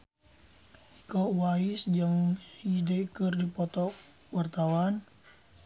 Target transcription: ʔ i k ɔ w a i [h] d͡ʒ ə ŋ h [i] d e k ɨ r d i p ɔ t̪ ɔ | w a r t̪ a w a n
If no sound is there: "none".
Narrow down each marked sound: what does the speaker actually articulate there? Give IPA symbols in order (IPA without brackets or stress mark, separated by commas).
s, i